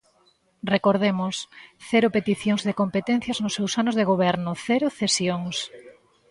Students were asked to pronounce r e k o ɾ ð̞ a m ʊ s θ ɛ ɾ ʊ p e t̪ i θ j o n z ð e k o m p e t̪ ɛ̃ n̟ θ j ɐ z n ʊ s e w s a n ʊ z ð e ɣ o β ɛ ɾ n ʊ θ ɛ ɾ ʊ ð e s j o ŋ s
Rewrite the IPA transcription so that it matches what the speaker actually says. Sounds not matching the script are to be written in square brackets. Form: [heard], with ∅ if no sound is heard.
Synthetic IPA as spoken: r e k o ɾ ð̞ [e] m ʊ s θ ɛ ɾ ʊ p e t̪ i θ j o [ŋ] z ð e k o m p e t̪ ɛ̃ n̟ θ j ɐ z n ʊ s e w s a n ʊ z ð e ɣ o β ɛ ɾ n ʊ θ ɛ ɾ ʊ [θ] e s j o ŋ s